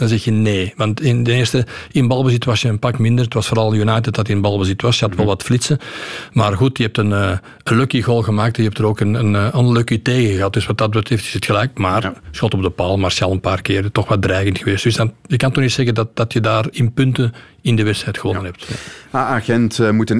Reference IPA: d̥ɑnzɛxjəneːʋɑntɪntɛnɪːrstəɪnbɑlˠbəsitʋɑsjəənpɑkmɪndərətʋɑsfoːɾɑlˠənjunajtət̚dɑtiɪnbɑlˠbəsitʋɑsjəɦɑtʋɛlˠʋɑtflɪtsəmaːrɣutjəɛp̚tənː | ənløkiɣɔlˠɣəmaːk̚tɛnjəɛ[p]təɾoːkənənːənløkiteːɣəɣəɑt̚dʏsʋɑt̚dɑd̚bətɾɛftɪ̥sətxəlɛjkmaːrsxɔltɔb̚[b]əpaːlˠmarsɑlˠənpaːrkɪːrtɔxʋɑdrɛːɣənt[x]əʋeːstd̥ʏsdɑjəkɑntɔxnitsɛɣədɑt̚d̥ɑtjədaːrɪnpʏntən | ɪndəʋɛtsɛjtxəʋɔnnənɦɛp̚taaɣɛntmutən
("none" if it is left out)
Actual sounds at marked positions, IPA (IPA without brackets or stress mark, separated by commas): p, d, x